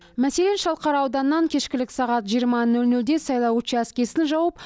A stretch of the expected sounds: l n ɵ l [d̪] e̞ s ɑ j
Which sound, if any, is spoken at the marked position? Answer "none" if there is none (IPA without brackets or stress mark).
d̪